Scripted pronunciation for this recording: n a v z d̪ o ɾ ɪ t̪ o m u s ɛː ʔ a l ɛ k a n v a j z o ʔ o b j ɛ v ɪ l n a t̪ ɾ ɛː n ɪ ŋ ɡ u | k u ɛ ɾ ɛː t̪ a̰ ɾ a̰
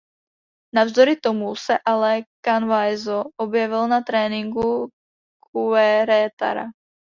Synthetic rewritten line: n a v z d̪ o ɾ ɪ t̪ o m u s ɛ ʔ a l ɛ k a n v a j z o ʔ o b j ɛ v ɪ l n a t̪ ɾ ɛː n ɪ ŋ ɡ u | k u ɛ ɾ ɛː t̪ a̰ ɾ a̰

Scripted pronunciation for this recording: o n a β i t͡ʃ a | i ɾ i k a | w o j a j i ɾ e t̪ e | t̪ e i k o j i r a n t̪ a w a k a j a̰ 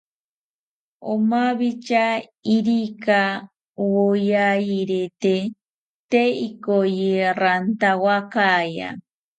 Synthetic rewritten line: o m a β i t͡ʃ a | i ɾ i k a | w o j a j i ɾ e t̪ e | t̪ e i k o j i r a n t̪ a w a k a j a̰

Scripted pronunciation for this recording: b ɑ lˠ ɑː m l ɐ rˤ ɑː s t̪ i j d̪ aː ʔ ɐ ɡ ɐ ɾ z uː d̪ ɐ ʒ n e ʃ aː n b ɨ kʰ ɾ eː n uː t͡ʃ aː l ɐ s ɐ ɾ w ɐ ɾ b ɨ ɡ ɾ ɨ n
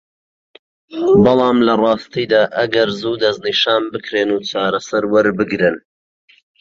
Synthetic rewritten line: b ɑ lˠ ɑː m l ɐ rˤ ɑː s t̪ i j d̪ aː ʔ ɐ ɡ ɐ ɾ z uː d̪ ɐ z n i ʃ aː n b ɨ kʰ ɾ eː n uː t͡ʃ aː ɾ ɐ s ɐ ɾ w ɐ ɾ b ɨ ɡ ɾ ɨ n

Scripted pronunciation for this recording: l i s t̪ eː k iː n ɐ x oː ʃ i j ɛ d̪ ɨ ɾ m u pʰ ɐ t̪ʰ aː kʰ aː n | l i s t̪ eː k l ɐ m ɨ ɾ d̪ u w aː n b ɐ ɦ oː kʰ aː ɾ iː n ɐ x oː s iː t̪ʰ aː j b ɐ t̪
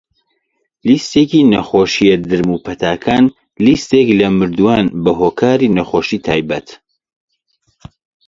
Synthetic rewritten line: l i s t̪ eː k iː n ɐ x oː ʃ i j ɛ d̪ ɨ ɾ m u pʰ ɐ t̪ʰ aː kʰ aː n | l i s t̪ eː k l ɐ m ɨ ɾ d̪ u w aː n b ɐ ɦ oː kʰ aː ɾ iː n ɐ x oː ʃ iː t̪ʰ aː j b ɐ t̪

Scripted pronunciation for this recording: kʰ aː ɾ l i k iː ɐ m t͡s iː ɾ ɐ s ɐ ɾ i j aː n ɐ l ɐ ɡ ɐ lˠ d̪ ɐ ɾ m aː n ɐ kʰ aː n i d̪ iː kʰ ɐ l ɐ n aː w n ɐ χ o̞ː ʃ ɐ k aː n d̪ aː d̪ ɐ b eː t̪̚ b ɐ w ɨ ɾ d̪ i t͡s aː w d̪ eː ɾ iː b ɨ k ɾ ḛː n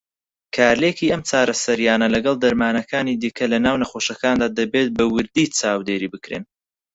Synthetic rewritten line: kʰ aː ɾ l e k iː ɐ m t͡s aː ɾ ɐ s ɐ ɾ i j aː n ɐ l ɐ ɡ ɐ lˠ d̪ ɐ ɾ m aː n ɐ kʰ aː n i d̪ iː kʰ ɐ l ɐ n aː w n ɐ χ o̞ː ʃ ɐ k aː n d̪ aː d̪ ɐ b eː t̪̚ b ɐ w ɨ ɾ d̪ i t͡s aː w d̪ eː ɾ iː b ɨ k ɾ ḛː n

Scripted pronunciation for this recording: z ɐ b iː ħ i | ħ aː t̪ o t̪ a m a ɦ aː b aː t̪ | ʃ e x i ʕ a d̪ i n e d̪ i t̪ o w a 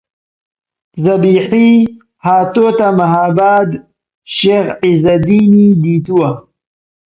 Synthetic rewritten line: z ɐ b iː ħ i | h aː t̪ o t̪ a m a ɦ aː b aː d̪ | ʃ e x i z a d̪ i n i d̪ i t̪ u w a

